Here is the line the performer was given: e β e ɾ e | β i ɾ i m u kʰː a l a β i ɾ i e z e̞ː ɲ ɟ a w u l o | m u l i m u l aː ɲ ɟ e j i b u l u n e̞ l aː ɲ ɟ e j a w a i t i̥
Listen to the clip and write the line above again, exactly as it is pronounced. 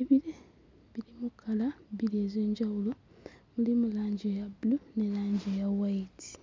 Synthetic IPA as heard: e β i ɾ e | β i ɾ i m u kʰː a l a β i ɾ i e z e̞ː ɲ ɟ a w u l o | m u l i m u l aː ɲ ɟ e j a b u l u n e̞ l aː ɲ ɟ e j a w a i t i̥